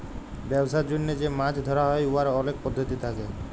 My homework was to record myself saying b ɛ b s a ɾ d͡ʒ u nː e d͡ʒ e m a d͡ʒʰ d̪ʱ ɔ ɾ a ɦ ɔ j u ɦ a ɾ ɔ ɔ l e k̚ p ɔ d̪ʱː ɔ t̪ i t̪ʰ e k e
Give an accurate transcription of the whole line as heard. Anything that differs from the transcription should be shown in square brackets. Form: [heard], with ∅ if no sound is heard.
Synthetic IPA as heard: b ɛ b s a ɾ d͡ʒ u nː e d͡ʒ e m a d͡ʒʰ d̪ʱ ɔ ɾ a ɦ ɔ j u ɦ a ɾ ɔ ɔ l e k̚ p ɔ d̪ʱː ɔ t̪ i t̪ʰ [a] k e